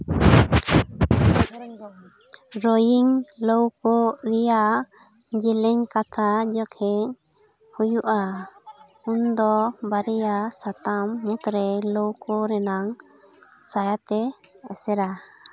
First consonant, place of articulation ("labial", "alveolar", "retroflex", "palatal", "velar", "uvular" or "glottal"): alveolar